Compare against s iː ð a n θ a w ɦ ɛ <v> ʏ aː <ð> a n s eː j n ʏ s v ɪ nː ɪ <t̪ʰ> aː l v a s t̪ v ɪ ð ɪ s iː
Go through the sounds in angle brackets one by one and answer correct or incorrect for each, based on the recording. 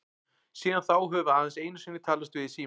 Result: correct, correct, correct

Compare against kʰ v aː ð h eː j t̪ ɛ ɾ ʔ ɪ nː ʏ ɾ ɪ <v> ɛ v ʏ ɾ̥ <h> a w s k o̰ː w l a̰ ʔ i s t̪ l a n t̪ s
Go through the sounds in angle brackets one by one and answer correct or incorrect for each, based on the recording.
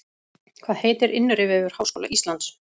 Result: correct, correct

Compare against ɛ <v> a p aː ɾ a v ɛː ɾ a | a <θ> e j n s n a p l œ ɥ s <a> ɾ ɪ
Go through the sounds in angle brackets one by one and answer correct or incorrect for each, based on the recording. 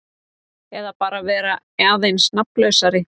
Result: incorrect: ð, incorrect: ð, correct

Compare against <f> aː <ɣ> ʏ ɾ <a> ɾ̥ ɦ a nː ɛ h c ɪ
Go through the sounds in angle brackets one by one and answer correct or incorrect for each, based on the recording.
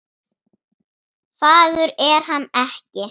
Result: correct, incorrect: ð, incorrect: ɛ

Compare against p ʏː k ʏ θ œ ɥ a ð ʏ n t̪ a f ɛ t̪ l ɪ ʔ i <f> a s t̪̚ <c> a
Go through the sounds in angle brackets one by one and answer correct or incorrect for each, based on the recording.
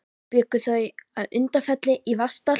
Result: incorrect: v, incorrect: p

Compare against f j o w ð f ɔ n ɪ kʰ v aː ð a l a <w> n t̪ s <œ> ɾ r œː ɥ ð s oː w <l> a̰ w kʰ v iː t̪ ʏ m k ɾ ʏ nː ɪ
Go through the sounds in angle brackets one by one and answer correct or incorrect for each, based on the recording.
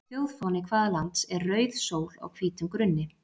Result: incorrect: none, incorrect: ɛ, correct

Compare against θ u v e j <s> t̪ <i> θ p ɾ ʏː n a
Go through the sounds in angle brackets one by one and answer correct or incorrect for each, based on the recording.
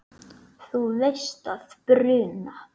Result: correct, incorrect: a

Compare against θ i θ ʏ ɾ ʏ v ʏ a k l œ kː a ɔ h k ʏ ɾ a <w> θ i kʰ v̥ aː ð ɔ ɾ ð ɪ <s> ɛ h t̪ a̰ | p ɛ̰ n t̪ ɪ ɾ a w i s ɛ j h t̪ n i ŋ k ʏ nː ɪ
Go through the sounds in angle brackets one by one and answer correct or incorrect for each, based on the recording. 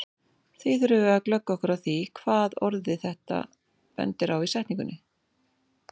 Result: correct, incorrect: θ

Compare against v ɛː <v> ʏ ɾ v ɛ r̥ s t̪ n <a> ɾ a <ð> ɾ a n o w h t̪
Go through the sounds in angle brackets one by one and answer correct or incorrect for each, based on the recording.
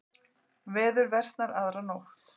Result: incorrect: ð, correct, correct

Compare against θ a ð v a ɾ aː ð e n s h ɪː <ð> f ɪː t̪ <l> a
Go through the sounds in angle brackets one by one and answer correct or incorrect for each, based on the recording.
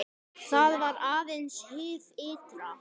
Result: incorrect: none, incorrect: ɾ

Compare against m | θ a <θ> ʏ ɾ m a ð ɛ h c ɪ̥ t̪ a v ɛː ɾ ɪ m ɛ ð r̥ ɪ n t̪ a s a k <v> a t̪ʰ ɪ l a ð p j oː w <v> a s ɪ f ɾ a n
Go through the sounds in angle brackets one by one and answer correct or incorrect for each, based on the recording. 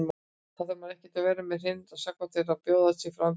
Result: incorrect: ð, correct, incorrect: ð

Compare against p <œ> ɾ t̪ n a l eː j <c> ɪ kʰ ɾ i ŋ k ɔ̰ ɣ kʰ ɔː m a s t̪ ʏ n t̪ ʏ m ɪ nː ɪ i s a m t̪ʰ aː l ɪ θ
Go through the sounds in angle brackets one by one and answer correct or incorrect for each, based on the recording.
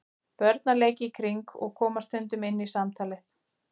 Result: correct, correct

